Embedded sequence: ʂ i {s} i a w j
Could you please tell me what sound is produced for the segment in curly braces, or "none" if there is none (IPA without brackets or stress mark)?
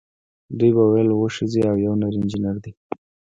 z